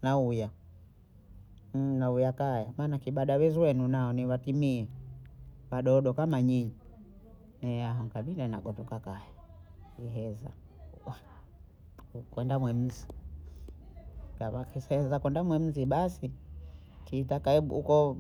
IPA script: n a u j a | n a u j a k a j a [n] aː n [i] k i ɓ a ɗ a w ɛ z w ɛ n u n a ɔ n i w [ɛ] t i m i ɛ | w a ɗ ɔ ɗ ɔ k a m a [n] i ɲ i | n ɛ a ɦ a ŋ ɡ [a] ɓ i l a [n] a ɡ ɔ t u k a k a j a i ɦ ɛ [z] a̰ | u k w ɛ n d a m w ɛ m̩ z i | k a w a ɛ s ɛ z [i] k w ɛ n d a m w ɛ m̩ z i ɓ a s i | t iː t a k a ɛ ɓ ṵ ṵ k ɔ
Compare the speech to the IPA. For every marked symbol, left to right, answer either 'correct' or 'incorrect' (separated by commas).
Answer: incorrect, incorrect, incorrect, incorrect, correct, correct, correct, incorrect